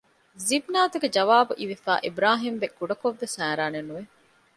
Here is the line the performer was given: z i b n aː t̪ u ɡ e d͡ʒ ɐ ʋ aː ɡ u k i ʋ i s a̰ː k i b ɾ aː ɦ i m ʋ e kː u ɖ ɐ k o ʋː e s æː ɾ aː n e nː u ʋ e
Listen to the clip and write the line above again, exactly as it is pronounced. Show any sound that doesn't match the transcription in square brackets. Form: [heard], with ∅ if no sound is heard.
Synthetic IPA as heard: z i b n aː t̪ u ɡ e d͡ʒ ɐ ʋ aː [b] u [ʔ] i ʋ i [f] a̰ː [ʔ] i b ɾ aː ɦ i m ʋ e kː u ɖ ɐ k o ʋː e s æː ɾ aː n e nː u ʋ e